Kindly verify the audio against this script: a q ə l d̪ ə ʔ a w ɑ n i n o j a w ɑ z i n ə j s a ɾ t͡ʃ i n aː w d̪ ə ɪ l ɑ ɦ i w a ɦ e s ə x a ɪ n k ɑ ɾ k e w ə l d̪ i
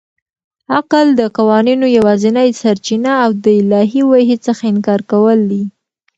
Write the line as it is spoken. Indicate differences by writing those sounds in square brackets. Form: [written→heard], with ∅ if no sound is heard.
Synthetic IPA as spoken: a q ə l d̪ ə [ʔ→q] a w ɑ n i n o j a w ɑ z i n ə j s a ɾ t͡ʃ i n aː w d̪ ə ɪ l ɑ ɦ i w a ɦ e [s→t͡s] ə x a ɪ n k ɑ ɾ k [e→a] w ə l d̪ i